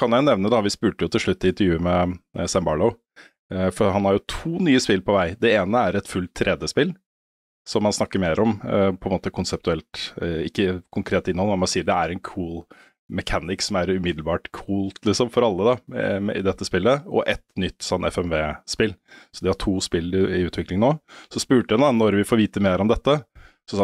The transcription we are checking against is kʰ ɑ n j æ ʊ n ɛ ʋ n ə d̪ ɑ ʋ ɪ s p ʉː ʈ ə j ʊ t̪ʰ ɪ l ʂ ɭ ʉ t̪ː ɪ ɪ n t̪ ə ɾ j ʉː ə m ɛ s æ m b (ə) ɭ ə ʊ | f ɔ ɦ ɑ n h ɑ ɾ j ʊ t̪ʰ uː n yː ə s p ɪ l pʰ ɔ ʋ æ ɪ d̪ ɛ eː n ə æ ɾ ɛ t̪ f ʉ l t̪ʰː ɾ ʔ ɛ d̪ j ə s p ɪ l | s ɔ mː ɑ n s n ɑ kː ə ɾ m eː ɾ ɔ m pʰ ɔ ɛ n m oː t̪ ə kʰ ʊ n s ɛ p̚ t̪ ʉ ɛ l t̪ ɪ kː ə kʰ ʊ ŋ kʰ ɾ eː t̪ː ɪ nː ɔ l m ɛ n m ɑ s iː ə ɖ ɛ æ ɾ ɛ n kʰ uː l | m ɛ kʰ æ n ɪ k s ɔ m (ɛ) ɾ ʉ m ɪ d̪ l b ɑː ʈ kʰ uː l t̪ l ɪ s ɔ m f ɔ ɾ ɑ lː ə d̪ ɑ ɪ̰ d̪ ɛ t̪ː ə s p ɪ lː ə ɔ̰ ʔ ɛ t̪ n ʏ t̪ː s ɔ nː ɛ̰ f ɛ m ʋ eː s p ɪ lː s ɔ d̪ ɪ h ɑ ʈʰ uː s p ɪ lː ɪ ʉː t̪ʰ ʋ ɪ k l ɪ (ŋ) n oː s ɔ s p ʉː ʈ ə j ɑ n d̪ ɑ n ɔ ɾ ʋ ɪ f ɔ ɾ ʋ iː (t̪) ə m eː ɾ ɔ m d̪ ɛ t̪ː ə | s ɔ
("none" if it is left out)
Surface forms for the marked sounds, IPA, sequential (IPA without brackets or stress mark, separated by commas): ɑ, æ, ŋ, t̪